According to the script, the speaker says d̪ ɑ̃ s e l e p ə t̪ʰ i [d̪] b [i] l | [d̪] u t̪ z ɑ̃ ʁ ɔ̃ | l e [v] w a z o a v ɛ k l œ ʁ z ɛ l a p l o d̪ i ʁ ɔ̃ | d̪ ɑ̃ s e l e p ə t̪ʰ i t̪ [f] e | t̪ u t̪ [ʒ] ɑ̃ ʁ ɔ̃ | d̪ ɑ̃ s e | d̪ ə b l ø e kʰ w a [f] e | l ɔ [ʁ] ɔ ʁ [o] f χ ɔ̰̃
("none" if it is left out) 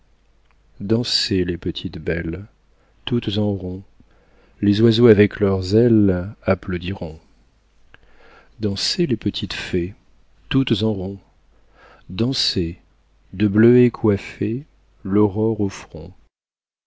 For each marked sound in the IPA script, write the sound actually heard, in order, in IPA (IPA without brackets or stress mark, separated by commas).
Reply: t̪, ɛ, t̪, z, f, z, f, ʁ, o